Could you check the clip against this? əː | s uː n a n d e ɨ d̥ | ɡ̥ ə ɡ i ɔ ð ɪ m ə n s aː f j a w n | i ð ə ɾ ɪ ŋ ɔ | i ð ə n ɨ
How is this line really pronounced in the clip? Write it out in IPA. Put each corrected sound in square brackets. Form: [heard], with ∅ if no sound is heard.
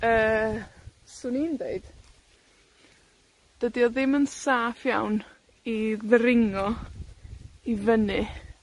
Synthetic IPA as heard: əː | s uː n [i] n d e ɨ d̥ | [d̥] ə [d] i ɔ ð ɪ m ə n s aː f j a w n | i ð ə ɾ ɪ ŋ ɔ | i [v] ə n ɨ

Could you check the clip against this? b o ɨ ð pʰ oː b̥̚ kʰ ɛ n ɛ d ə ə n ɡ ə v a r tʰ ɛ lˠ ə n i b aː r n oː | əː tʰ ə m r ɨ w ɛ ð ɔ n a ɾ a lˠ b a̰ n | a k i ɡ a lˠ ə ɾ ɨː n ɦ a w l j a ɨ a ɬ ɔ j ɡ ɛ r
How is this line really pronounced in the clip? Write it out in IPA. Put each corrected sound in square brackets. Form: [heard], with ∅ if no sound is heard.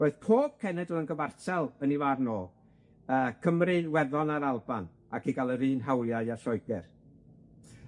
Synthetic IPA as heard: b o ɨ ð pʰ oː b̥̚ kʰ ɛ n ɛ d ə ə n ɡ ə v a r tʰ ɛ lˠ ə n i [v] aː r n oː | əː [kʰ] ə m r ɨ w ɛ ð ɔ n a ɾ a lˠ b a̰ n | a k i ɡ a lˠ ə ɾ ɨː n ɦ a w l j a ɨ a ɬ ɔ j ɡ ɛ r

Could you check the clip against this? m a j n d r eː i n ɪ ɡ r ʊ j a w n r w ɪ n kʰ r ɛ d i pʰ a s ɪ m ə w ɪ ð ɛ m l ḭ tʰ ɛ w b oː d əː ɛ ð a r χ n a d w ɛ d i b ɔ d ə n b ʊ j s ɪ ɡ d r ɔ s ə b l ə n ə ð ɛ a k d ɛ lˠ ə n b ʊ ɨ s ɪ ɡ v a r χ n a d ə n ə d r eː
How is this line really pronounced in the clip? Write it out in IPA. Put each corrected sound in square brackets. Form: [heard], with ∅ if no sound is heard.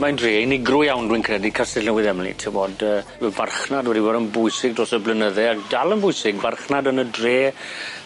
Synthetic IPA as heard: m a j n d r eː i n ɪ ɡ r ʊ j a w n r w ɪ n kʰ r ɛ d i [kʰ] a s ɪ [n] ə w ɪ ð ɛ m l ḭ tʰ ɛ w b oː d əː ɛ [v] a r χ n a d w ɛ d i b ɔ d ə n b ʊ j s ɪ ɡ d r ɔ s ə b l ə n ə ð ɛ a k d [a] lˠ ə n b ʊ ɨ s ɪ ɡ v a r χ n a d ə n ə d r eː

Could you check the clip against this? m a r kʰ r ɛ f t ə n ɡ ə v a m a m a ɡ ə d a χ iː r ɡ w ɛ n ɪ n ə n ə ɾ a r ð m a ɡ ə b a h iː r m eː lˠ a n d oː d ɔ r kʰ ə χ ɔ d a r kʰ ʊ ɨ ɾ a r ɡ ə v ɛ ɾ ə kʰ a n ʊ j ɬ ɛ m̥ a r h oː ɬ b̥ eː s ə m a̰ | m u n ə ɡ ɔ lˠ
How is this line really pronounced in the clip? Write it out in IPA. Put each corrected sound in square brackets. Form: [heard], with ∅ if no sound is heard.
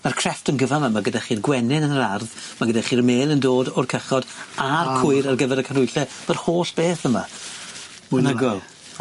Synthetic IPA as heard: m a r kʰ r ɛ f t ə n ɡ ə v a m a m a ɡ ə d a χ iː r ɡ w ɛ n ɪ n ə n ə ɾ a r ð m a ɡ ə [d] a [χ] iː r m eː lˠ [ə] n d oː d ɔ r kʰ ə χ ɔ d a r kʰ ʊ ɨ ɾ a r ɡ ə v ɛ ɾ ə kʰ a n ʊ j ɬ ɛ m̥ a r h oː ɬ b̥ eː [θ] ə m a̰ | m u n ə ɡ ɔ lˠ

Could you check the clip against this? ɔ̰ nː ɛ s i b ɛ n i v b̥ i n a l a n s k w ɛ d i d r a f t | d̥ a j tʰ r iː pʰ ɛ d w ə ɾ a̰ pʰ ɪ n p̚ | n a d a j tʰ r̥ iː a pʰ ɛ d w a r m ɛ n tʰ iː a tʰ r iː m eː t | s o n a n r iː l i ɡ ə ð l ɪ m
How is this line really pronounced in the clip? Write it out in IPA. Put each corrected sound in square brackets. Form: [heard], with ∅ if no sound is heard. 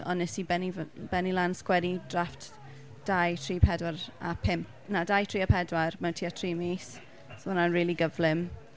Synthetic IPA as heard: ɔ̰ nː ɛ s i b ɛ n i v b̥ [ɛ] n [i] l a n s k w ɛ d i d r a f t | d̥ a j tʰ r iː pʰ ɛ d w [a] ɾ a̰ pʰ ɪ [m] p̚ | n a d a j tʰ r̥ iː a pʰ ɛ d w a r m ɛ n tʰ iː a tʰ r iː m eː [s] | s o n a n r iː l i ɡ ə [v] l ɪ m

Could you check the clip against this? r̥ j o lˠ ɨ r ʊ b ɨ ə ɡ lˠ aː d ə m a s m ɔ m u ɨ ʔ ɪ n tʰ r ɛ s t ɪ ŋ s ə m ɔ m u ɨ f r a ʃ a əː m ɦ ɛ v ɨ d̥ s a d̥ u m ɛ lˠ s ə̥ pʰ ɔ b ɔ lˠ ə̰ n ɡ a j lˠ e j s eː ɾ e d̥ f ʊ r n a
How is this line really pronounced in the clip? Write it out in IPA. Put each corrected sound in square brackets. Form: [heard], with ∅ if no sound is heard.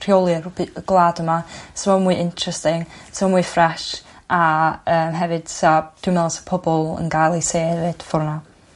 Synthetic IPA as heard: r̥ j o lˠ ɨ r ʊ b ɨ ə ɡ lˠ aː d ə m a s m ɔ m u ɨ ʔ ɪ n tʰ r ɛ s t ɪ ŋ s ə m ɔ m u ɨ f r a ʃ a əː m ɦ ɛ v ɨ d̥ s a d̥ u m ɛ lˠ s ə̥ pʰ ɔ b ɔ lˠ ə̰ n ɡ a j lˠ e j s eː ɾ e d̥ f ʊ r n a

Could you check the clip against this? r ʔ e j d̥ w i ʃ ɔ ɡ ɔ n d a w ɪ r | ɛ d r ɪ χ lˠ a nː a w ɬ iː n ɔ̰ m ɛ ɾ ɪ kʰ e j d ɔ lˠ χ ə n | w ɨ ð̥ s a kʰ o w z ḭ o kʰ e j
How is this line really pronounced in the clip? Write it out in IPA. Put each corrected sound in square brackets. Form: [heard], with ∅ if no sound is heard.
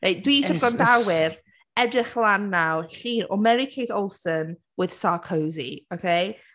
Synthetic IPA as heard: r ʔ e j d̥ w i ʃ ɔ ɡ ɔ n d a w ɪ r | ɛ d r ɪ χ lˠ a nː a w ɬ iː n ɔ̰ m ɛ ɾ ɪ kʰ e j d ɔ lˠ [s] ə n | w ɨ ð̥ s a kʰ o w z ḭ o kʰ e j

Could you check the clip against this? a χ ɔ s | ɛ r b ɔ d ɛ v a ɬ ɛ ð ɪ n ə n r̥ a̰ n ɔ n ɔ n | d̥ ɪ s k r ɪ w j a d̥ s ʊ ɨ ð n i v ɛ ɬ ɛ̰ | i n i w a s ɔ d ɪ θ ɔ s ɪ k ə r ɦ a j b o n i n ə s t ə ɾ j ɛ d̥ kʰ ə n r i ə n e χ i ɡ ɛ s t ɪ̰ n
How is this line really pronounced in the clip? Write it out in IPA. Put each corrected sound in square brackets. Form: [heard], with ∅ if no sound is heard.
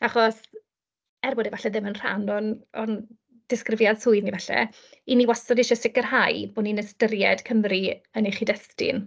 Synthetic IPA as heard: a χ ɔ s | ɛ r b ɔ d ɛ v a ɬ ɛ ð ɪ [m] ə n r̥ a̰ n ɔ n ɔ n | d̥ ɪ s k r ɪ [v] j a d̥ s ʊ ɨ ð n i v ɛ ɬ ɛ̰ | i n i w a s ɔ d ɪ [ʃ] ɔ s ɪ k ə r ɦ a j b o n i n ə s t ə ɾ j ɛ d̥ kʰ ə [m] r i ə n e χ i [d] ɛ s t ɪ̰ n

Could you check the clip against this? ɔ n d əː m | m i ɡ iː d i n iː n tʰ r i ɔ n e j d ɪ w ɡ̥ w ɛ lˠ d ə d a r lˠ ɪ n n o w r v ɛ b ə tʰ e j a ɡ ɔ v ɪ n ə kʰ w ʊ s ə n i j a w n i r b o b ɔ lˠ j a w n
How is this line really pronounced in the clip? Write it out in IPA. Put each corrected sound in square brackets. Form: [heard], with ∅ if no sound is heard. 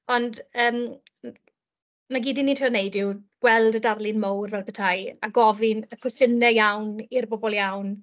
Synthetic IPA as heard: ɔ n d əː m | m [a] ɡ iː d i n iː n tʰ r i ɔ n e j d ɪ w ɡ̥ w ɛ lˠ d ə d a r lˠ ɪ n [m] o w r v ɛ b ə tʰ [a] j a ɡ ɔ v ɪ n ə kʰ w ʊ s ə n [ɛ] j a w n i r b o b ɔ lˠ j a w n

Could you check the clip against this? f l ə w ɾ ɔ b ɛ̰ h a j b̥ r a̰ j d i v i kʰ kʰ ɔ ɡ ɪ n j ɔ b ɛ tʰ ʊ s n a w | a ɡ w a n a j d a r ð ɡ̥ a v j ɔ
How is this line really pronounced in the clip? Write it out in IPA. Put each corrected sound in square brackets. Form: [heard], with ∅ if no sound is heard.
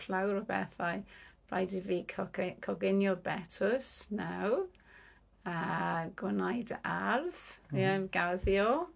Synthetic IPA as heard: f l [a] w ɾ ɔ b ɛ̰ [θ] a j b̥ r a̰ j d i v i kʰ kʰ ɔ ɡ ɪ n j ɔ b ɛ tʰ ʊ s n a w | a ɡ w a n a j d a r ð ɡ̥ a [ð] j ɔ

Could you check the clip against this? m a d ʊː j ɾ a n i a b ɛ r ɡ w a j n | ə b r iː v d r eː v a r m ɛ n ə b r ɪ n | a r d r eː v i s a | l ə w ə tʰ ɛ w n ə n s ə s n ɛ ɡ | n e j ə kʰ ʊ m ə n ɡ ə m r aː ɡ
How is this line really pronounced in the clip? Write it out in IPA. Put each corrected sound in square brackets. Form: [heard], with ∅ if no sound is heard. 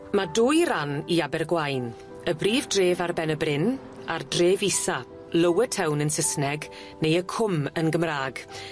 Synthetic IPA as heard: m a d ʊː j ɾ a n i a b ɛ r ɡ w a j n | ə b r iː v d r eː v a r [b] ɛ n ə b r ɪ n | a r d r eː v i s a | l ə w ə tʰ ɛ w n ə n s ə s n ɛ ɡ | n e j ə kʰ ʊ m ə n ɡ ə m r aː ɡ

